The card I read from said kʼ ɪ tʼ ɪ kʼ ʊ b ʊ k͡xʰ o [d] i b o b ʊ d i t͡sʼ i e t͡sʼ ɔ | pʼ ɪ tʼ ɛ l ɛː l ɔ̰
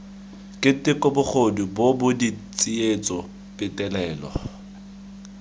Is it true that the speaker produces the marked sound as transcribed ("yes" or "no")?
yes